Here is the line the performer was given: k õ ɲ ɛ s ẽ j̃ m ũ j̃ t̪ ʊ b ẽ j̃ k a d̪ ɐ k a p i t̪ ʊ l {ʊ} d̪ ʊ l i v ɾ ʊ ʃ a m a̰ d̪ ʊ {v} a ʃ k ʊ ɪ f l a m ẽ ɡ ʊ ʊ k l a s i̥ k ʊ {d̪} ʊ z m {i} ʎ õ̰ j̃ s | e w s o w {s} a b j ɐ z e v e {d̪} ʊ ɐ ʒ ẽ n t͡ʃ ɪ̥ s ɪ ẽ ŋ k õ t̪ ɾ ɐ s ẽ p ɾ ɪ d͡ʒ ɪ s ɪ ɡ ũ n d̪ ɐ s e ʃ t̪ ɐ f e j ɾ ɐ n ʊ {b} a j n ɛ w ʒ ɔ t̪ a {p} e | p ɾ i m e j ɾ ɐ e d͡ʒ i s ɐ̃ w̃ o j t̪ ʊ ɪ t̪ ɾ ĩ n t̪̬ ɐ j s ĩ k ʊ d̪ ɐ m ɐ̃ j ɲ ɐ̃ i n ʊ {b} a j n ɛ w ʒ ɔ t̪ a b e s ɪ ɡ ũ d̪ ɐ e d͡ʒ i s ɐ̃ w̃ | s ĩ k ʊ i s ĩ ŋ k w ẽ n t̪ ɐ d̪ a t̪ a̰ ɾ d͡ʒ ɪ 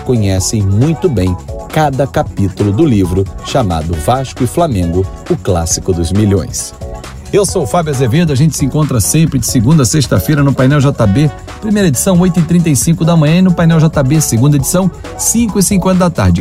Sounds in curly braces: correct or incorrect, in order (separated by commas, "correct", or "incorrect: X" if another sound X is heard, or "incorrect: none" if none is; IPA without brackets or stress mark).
correct, correct, correct, correct, incorrect: f, correct, incorrect: p, incorrect: b, incorrect: p